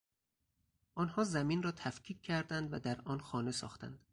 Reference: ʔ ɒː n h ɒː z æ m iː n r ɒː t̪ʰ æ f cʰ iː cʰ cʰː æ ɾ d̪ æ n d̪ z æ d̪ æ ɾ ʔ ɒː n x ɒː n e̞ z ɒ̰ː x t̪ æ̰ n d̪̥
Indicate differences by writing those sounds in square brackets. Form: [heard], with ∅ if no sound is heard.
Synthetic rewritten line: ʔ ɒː n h ɒː z æ m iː n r ɒː t̪ʰ æ f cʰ iː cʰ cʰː æ ɾ d̪ æ n d̪ [v] æ d̪ æ ɾ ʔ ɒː n x ɒː n e̞ [s] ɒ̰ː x t̪ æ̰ n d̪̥